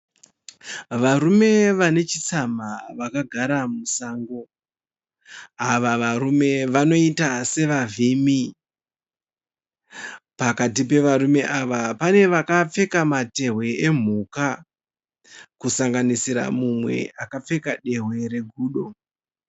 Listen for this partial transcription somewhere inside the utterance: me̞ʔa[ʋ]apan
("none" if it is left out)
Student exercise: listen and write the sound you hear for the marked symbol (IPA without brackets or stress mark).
ʋ